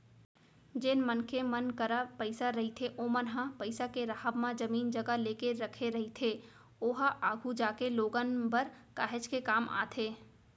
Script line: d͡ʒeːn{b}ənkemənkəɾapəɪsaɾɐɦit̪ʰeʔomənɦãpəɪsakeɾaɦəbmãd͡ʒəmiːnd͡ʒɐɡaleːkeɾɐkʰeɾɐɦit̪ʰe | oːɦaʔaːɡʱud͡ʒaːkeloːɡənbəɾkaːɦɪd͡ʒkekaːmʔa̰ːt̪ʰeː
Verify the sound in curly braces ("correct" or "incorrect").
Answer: incorrect